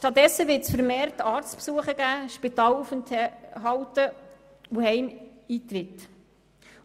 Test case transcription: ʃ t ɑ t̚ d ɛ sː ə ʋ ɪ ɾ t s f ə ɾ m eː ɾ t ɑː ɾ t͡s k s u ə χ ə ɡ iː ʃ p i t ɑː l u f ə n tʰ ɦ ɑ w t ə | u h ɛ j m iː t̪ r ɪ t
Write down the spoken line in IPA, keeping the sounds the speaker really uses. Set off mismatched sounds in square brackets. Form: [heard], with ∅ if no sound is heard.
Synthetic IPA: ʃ t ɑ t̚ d ɛ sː ə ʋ ɪ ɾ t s f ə ɾ m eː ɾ t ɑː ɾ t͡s [p] s u ə χ ə ɡ [æː] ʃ p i t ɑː l u f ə n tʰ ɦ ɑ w t ə | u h ɛ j m iː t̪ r ɪ t